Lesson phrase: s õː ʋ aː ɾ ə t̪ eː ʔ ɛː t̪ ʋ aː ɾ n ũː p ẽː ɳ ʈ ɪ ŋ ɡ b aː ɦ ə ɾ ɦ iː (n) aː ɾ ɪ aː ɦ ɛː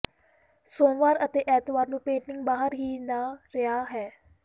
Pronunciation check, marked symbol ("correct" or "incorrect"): correct